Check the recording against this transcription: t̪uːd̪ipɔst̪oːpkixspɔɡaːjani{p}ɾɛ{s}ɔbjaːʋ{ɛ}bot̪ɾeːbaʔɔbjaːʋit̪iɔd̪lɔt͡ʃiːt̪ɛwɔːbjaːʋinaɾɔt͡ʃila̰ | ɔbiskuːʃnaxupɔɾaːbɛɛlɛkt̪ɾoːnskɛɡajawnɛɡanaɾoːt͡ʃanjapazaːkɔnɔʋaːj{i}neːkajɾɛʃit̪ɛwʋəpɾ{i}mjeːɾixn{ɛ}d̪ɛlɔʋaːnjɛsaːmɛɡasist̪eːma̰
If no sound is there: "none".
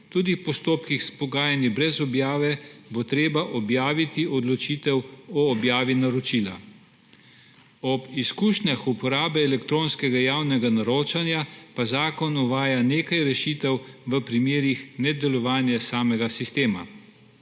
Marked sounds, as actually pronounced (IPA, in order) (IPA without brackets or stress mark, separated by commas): b, z, ɛ, a, i, ɛ